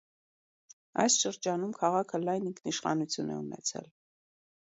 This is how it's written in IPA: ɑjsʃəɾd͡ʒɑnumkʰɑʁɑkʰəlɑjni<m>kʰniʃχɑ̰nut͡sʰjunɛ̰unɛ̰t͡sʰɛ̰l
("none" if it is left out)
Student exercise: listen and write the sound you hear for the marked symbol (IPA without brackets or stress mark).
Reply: ŋ